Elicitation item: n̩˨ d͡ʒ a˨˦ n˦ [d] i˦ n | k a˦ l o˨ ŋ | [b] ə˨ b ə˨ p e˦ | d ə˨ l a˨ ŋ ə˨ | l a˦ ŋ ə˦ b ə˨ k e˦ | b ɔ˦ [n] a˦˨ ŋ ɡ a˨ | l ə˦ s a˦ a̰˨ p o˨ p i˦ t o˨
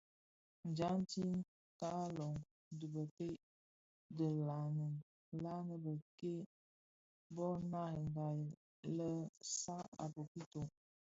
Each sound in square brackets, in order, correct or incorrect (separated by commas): incorrect, incorrect, correct